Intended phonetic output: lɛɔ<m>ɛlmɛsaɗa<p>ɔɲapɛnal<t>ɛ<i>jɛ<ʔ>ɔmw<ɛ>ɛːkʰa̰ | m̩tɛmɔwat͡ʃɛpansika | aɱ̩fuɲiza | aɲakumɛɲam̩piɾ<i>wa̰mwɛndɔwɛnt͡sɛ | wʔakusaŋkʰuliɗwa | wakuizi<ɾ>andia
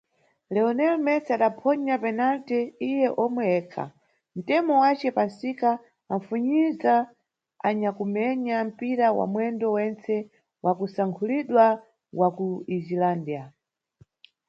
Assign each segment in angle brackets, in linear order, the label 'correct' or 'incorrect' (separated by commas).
incorrect, incorrect, correct, correct, correct, correct, incorrect, incorrect